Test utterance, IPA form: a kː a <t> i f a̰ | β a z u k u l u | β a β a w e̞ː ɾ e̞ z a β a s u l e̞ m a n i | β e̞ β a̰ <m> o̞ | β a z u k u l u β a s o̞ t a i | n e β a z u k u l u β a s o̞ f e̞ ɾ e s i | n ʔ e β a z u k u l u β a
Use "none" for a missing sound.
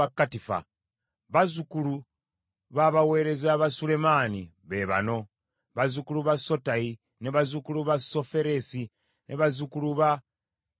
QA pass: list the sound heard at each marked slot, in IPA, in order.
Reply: t, n

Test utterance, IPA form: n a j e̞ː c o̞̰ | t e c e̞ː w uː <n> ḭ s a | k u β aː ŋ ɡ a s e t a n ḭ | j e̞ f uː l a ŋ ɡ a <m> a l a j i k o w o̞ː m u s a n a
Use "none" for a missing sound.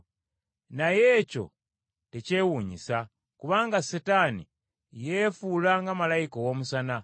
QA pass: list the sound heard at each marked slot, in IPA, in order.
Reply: ɲ, m

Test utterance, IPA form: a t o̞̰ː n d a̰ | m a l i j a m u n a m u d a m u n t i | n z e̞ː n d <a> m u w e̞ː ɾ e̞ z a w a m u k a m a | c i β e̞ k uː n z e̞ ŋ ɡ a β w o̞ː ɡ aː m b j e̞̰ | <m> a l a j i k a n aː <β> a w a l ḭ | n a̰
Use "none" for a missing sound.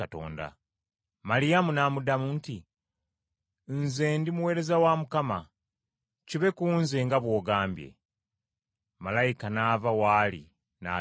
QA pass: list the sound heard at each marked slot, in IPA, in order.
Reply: i, m, v

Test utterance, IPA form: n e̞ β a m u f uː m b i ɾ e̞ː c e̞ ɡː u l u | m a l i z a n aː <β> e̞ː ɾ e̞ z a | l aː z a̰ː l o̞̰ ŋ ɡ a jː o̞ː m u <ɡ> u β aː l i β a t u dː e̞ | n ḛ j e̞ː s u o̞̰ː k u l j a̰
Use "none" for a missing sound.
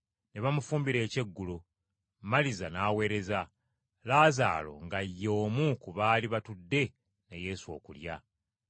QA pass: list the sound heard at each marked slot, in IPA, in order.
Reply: w, k

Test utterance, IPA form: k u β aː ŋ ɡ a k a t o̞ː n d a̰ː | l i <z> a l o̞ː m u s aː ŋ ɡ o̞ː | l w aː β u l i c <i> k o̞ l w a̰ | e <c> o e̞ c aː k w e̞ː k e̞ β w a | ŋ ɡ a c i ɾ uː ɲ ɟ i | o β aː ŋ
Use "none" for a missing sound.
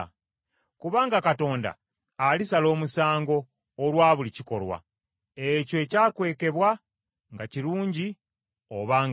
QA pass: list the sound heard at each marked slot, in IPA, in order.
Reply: s, i, c

